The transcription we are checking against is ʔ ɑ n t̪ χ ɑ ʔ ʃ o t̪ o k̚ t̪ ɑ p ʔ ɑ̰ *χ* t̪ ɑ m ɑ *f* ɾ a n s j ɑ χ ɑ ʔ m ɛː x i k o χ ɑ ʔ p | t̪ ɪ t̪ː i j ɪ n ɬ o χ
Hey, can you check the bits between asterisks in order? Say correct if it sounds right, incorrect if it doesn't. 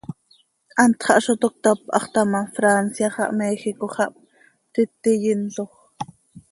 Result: correct, correct

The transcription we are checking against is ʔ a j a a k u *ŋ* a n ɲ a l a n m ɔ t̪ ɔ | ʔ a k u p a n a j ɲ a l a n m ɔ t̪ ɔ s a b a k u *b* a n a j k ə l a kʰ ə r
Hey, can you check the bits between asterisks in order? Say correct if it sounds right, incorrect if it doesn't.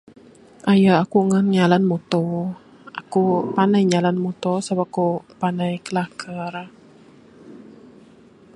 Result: correct, incorrect: p

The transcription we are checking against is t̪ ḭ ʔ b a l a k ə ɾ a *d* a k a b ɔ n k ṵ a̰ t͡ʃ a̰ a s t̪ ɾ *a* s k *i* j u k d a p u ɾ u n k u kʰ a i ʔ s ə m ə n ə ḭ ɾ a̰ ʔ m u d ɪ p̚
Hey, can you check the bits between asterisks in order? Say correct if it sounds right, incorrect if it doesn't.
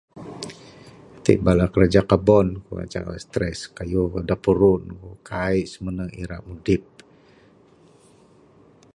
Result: incorrect: d͡ʒ, incorrect: ɛ, incorrect: a

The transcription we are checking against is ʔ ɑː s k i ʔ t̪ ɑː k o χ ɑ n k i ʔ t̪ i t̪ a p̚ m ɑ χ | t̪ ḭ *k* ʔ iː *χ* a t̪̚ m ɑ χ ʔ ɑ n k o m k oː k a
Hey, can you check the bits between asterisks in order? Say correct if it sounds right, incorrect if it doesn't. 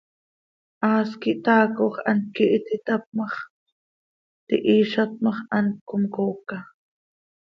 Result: incorrect: none, incorrect: ʃ

